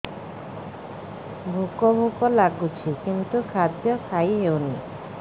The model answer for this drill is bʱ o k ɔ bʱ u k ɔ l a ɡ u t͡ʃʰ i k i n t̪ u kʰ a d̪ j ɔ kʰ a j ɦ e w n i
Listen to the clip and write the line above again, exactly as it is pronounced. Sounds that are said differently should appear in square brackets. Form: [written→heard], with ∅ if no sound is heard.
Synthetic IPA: bʱ [o→u] k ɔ bʱ u k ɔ l a ɡ u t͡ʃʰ i k i n t̪ u kʰ a d̪ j ɔ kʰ a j ɦ e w n i